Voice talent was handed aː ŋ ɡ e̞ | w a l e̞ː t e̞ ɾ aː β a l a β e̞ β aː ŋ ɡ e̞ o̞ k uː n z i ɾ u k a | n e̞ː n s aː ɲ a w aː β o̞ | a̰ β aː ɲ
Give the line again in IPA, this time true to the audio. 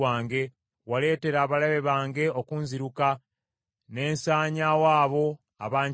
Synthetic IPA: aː ŋ ɡ e̞ | w a l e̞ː t e̞ ɾ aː β a l a β e̞ β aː ŋ ɡ e̞ o̞ k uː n z i ɾ u k a | n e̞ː n s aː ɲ a w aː β o̞ | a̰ β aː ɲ